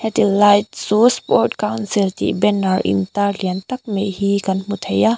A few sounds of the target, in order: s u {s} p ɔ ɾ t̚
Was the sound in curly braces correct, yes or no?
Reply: yes